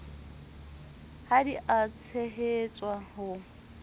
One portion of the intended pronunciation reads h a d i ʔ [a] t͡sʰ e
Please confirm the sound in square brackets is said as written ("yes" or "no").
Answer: yes